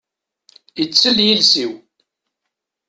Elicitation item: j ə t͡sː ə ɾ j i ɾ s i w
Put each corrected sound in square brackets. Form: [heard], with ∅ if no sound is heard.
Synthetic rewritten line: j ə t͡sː ə [l] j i [l] s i w